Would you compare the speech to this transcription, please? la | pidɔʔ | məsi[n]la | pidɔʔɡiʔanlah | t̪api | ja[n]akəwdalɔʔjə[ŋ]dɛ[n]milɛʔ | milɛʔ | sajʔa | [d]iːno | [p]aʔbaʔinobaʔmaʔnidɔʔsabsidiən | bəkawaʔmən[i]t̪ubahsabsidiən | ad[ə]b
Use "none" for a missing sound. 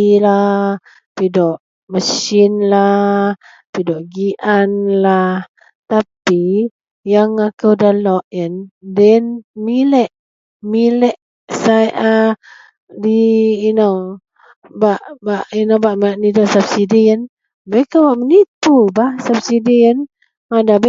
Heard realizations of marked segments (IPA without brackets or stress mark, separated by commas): n, ŋ, n, n, d, b, i, a